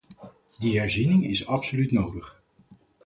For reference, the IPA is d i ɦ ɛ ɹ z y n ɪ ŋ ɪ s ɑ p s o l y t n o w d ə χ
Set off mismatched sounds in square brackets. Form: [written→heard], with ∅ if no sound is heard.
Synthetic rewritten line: d i ɦ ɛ ɹ z [y→i] n ɪ ŋ ɪ s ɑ p s o l y t n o w d ə χ